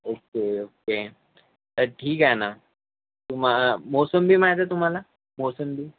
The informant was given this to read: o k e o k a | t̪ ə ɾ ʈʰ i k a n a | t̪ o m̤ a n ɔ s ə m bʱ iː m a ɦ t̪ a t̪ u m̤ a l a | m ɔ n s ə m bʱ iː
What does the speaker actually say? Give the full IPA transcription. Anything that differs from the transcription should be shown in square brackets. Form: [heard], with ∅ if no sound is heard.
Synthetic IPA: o k e o k [e] | t̪ ə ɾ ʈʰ [iː] k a n a | t̪ [u] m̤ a [m] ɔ s ə m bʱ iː m a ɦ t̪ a t̪ u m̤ a l a | m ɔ [∅] s ə m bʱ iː